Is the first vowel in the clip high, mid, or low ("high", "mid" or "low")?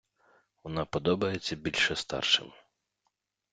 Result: mid